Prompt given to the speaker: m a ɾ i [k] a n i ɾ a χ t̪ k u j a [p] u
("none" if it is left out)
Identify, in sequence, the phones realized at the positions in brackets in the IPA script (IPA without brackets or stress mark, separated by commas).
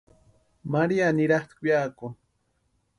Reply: none, k